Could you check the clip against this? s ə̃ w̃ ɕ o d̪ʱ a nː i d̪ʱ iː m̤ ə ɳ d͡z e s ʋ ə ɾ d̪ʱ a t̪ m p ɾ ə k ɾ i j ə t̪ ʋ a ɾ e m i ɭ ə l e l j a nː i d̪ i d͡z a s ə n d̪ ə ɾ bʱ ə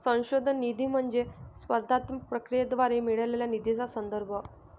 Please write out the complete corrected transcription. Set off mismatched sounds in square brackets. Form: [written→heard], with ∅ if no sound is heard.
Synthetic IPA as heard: s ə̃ w̃ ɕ o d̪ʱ [a→ə] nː i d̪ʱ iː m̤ ə ɳ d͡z e s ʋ ə ɾ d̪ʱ a t̪ m p ɾ ə k ɾ i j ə [t̪→d̪] ʋ a ɾ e m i ɭ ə l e l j a [nː→n] i d̪ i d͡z a s ə n d̪ ə ɾ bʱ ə